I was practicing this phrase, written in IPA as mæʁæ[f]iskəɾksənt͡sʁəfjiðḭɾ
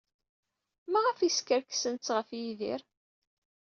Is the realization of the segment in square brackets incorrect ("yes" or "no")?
no